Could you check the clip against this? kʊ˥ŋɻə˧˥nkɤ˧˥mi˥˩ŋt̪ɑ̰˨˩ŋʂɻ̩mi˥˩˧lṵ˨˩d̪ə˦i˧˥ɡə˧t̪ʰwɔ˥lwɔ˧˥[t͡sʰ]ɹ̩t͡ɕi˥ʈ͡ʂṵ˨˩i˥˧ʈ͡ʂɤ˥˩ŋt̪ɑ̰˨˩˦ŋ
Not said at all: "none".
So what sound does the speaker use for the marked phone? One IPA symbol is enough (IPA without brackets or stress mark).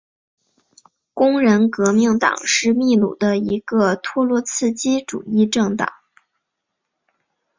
t͡sʰ